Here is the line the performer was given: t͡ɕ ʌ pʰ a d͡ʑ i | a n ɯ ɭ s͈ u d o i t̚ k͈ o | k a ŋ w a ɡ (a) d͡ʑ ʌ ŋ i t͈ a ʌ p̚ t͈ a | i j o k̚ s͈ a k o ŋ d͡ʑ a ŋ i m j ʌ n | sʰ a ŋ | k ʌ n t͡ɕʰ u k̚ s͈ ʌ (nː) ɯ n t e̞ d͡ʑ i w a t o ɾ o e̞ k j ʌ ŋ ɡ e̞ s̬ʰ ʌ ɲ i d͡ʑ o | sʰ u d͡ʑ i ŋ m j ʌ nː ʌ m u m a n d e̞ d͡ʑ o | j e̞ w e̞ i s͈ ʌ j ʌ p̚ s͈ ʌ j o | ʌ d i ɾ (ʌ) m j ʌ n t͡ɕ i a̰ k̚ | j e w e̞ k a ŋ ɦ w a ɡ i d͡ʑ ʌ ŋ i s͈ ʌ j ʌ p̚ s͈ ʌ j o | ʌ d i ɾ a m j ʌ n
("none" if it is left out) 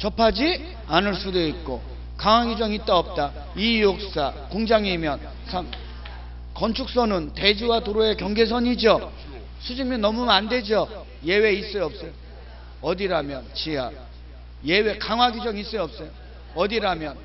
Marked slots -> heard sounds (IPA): i, n, a

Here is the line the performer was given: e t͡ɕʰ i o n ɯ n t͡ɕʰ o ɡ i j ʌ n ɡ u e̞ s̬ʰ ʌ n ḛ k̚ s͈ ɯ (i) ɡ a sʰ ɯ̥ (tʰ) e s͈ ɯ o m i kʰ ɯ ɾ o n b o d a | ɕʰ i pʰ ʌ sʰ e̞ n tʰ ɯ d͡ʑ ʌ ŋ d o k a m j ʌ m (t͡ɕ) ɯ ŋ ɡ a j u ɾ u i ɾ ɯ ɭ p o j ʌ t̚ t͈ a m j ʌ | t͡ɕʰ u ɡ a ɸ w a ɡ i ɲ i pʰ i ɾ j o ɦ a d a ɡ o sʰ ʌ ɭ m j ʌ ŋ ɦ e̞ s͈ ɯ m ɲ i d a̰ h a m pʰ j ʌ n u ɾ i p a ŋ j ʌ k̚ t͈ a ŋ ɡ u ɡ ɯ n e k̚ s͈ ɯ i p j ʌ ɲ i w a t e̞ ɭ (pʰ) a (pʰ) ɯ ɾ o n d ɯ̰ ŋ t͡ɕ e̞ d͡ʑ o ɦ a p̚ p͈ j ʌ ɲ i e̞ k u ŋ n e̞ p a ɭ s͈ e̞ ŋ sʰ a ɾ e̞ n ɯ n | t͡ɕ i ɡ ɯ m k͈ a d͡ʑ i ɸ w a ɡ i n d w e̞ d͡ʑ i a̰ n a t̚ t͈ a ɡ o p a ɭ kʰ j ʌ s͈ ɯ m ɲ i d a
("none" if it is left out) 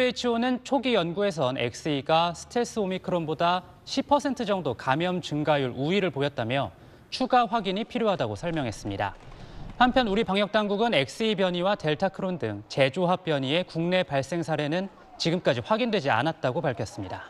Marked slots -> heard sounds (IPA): i, tʰ, t͡ɕ, tʰ, kʰ

